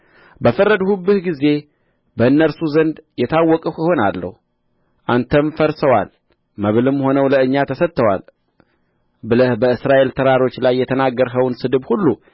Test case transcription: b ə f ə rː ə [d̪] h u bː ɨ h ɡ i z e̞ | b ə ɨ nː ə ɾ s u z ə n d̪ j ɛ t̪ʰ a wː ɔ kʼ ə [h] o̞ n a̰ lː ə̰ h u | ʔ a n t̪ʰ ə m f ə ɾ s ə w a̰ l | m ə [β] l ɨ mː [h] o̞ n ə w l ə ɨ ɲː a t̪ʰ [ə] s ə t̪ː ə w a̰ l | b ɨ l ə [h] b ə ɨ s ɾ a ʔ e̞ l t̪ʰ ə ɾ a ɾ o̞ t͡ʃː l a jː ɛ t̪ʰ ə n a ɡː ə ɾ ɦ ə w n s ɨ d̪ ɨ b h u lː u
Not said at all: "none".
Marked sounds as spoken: d̪, h, β, h, ə, h

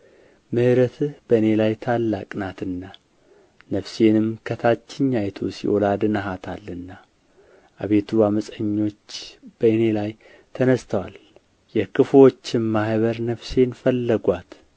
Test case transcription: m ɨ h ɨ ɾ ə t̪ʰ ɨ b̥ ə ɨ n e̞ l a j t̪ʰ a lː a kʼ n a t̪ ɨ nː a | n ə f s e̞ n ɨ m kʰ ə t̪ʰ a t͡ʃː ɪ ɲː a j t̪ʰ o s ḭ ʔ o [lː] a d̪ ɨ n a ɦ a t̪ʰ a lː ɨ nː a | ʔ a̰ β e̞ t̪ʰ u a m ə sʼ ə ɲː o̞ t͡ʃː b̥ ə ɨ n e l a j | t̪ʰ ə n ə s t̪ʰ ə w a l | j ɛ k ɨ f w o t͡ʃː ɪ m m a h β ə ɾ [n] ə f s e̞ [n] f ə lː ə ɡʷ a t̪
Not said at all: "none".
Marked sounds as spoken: l, n, n

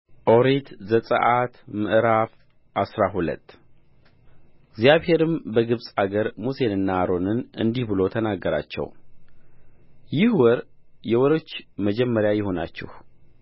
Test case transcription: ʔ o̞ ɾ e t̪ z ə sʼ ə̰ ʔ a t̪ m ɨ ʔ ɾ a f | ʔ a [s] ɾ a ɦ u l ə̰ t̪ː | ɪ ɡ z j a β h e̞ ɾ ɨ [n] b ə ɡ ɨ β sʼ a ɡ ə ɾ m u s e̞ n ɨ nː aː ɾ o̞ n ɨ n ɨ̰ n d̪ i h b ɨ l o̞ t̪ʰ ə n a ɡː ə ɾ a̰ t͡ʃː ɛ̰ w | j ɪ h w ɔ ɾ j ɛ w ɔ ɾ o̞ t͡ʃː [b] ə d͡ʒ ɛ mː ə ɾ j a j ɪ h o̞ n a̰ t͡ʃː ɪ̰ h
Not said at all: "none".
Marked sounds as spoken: s, m, m

